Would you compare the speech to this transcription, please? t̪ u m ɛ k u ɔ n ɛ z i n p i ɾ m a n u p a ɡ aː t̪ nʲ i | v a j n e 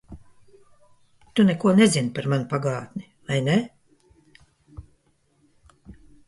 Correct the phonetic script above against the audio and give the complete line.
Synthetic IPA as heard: t̪ u n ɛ k u ɔ n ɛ z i n p a ɾ m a n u p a ɡ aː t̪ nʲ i | v a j n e